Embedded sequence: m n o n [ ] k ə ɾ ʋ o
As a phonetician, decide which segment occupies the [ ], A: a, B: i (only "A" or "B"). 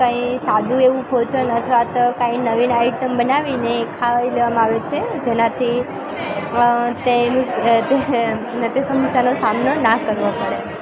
A